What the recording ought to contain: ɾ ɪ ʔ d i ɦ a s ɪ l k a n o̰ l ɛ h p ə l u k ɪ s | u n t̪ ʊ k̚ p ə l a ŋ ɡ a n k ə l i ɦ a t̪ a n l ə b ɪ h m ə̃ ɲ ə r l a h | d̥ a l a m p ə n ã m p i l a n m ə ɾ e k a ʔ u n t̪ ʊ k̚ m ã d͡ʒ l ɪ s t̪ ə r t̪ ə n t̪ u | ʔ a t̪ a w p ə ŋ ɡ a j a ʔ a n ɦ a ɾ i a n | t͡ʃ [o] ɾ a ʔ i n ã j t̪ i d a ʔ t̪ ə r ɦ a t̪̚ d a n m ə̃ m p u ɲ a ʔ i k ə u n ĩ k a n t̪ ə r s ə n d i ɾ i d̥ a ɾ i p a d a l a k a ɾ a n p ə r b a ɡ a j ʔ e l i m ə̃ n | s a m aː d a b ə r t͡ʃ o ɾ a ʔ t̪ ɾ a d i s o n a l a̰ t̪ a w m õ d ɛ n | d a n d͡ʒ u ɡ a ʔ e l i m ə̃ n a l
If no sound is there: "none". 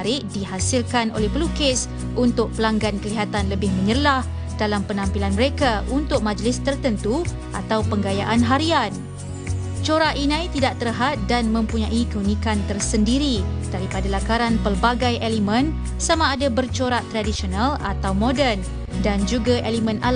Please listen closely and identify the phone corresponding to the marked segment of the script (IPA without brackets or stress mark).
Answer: o